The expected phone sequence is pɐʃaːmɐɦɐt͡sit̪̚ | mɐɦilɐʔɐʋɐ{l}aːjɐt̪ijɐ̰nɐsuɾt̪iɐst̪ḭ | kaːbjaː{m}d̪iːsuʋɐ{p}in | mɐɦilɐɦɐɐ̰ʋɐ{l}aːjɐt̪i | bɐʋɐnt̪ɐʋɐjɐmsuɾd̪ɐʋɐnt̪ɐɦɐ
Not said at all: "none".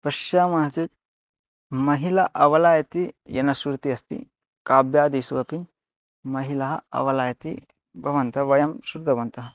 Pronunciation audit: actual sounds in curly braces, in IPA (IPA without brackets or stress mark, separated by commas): l, none, p, l